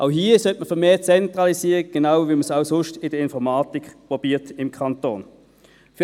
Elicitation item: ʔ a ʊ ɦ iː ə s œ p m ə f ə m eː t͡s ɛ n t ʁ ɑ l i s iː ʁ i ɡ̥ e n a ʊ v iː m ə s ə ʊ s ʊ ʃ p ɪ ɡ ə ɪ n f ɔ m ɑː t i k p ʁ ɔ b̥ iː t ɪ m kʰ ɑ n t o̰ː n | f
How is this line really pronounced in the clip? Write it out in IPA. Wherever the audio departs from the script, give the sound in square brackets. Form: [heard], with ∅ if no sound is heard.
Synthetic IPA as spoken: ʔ a ʊ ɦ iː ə s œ [t] m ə f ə m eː t͡s ɛ n t ʁ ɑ l i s iː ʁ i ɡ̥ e n a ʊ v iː m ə s [a] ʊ s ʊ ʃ [t] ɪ [d] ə ɪ n f ɔ m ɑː t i k p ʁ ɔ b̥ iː t ɪ m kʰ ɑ n t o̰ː n | f